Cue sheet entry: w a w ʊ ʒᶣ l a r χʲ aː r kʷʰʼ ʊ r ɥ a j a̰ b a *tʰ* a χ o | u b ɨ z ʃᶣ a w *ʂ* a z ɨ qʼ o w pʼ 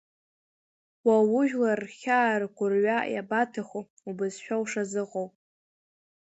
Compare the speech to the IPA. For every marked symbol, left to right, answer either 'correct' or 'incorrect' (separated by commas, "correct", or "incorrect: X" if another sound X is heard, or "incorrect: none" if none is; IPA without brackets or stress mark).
correct, correct